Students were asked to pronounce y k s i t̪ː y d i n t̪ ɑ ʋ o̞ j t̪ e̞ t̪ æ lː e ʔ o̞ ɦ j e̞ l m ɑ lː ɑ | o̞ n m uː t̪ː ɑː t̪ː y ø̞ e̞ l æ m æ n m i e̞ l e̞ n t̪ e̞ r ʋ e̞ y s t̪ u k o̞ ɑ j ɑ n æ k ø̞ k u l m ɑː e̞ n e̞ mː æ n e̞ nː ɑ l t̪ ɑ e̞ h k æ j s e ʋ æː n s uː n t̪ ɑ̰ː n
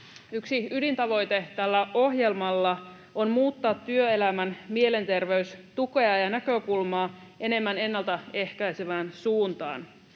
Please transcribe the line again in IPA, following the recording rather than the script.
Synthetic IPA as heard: y k s i y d i n t̪ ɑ ʋ o̞ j t̪ e̞ t̪ æ lː æ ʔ o̞ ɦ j e̞ l m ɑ lː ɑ | o̞ n m uː t̪ː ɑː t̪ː y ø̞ e̞ l æ m æ n m i e̞ l e̞ n t̪ e̞ r ʋ e̞ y s t̪ u k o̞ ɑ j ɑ n æ k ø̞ k u l m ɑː e̞ n e̞ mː æ n e̞ nː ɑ l t̪ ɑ e̞ h k æ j s e ʋ æː n s uː n t̪ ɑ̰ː n